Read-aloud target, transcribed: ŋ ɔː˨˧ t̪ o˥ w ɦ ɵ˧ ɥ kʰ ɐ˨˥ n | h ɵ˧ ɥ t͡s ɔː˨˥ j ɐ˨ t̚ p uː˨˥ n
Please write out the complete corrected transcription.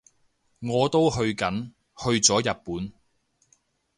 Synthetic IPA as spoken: ŋ ɔː˨˧ t̪ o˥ w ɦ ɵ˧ ɥ k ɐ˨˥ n | h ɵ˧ ɥ t͡s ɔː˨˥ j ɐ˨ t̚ p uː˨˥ n